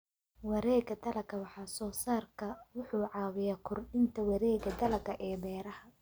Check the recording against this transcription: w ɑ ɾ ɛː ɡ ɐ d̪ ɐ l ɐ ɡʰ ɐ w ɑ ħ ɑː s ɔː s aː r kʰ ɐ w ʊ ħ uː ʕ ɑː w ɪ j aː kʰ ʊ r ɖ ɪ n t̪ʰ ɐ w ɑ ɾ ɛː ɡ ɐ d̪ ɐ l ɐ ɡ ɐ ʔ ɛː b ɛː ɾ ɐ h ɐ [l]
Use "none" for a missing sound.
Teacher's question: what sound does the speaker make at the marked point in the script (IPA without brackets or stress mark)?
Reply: none